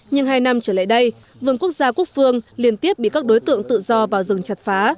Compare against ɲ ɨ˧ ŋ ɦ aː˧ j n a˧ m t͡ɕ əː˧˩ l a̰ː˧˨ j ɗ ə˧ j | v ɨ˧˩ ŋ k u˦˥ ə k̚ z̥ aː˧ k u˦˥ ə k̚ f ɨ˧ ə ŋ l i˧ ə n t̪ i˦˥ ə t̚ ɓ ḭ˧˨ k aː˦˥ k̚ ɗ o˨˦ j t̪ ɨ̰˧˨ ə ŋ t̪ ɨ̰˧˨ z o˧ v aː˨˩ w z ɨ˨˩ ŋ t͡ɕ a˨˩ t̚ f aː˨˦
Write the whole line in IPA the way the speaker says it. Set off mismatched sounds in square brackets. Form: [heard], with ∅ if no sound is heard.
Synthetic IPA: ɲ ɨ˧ ŋ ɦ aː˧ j n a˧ m t͡ɕ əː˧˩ l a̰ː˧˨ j ɗ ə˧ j | v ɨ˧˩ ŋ k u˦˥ ə k̚ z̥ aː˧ k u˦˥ ə k̚ f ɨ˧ ə ŋ l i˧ ə n t̪ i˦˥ ə [p̚] ɓ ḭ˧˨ k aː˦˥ k̚ ɗ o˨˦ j t̪ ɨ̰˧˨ ə ŋ t̪ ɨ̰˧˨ z [ɔ˧] v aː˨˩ w z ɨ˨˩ ŋ t͡ɕ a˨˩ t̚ f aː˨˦